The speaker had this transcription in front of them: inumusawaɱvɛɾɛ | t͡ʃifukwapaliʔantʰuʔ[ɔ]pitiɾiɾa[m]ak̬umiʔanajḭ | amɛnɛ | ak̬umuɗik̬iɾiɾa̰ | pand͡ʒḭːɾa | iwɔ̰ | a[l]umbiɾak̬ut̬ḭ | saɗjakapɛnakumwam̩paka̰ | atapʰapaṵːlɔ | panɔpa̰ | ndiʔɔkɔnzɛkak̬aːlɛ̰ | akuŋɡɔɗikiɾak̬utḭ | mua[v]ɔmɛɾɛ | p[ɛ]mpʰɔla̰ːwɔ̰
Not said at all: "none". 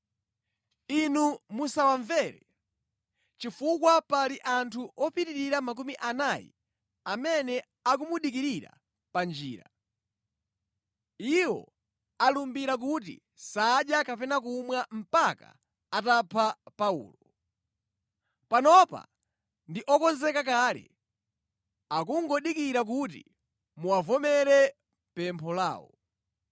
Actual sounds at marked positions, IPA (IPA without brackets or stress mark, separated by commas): ɔ, m, l, v, ɛ